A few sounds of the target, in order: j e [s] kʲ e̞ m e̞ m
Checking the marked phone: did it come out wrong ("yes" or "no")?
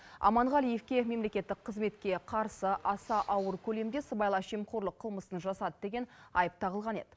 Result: yes